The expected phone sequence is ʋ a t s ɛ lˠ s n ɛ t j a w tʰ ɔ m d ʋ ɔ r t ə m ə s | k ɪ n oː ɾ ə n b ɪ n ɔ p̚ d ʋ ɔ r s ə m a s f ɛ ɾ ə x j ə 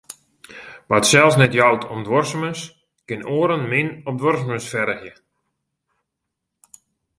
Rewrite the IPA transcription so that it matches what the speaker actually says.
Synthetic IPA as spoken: ʋ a t s ɛ lˠ s n ɛ t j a w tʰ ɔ m d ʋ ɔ r s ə m ə s | k ɪ n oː ɾ ə n m ɪ n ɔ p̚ d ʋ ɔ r s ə m ə s f ɛ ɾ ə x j ə